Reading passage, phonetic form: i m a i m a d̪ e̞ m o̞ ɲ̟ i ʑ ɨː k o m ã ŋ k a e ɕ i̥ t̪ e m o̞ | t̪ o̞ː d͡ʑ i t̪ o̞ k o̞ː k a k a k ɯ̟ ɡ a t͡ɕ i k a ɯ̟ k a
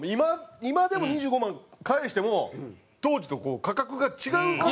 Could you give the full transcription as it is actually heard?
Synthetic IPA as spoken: i m a i m a d̪ e̞ m o̞ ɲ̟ i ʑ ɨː ɡ o m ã ŋ k a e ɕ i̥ t̪ e m o̞ | t̪ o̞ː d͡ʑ i t̪ o̞ k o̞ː k a k a k ɯ̟ ɡ a t͡ɕ i ɡ a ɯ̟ k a